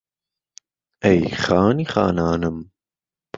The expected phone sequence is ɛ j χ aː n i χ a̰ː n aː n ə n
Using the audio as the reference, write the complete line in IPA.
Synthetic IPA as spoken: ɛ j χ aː n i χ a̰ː n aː n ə m